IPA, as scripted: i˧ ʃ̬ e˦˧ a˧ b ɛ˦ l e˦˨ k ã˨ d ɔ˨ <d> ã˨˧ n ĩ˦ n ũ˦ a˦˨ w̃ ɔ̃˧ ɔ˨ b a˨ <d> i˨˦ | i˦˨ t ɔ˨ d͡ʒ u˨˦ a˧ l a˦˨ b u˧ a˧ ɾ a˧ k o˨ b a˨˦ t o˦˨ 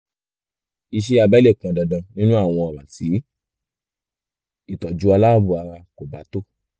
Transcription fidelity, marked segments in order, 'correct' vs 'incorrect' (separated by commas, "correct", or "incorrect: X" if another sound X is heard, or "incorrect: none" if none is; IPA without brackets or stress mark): correct, incorrect: t